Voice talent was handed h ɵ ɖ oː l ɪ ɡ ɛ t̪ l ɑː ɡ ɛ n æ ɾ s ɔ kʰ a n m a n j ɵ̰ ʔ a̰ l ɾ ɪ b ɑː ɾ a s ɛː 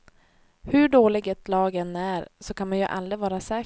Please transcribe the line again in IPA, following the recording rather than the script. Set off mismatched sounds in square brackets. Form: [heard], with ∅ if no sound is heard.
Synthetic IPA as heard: h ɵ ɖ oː l ɪ ɡ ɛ t̪ l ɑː ɡ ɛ n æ ɾ s ɔ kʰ a n m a n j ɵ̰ ʔ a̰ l ɾ ɪ [v] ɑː ɾ a s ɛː